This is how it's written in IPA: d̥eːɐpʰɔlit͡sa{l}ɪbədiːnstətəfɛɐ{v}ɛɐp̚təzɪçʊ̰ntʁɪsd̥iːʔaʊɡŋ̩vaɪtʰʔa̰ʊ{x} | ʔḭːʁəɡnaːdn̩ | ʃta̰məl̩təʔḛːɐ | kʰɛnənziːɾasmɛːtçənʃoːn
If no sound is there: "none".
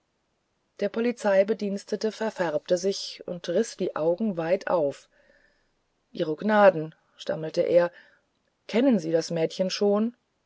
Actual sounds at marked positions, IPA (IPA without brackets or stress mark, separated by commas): none, f, f